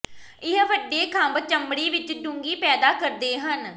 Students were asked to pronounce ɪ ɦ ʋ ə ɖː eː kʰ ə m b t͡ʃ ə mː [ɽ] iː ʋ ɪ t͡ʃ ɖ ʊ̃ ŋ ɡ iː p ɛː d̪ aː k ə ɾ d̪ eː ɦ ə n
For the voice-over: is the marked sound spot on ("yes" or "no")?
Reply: yes